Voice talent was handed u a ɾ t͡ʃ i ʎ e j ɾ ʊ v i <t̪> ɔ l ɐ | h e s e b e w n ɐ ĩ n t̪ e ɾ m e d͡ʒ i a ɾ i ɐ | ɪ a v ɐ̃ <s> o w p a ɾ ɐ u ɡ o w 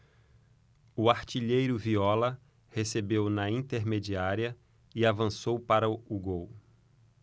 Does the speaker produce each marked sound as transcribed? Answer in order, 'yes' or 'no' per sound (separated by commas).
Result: no, yes